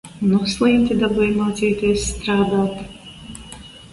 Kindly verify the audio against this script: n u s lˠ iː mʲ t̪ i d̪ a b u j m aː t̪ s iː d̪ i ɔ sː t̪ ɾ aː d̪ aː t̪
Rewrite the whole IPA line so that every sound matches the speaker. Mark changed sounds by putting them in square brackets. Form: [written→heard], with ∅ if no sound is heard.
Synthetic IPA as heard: n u s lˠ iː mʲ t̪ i d̪ a b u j m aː t̪ s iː [d̪→t̪] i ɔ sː t̪ ɾ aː d̪ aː t̪